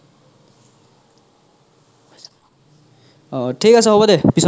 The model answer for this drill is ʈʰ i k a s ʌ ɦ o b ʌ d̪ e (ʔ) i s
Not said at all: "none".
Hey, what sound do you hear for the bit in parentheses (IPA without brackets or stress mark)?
p